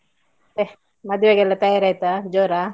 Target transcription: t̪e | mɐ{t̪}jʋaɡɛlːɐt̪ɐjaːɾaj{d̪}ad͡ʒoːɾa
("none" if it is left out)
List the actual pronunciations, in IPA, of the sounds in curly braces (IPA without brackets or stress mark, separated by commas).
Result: d̪, t̪